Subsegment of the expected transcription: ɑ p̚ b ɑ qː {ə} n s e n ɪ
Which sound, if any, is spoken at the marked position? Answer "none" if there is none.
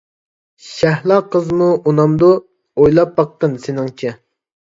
ə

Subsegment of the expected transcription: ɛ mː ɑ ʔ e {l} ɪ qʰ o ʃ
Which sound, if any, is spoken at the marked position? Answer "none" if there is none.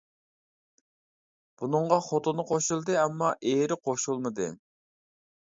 ɾ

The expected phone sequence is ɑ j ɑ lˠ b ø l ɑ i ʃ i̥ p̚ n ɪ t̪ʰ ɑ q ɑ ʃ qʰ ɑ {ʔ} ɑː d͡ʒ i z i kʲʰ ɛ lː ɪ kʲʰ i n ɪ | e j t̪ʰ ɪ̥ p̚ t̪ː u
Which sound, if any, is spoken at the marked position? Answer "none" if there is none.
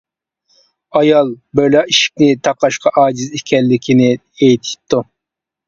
ʔ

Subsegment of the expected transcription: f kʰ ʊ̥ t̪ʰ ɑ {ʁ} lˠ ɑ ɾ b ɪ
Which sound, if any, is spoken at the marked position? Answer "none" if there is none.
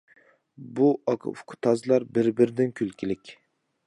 z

